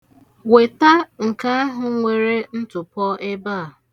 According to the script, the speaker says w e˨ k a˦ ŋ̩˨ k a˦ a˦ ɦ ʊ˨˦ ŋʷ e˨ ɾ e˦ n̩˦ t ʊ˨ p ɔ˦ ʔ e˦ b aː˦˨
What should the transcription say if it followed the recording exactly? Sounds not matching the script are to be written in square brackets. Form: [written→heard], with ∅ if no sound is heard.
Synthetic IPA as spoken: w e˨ [k→t] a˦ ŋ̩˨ k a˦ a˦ ɦ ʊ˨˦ ŋʷ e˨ ɾ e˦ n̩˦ t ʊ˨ p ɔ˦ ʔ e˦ b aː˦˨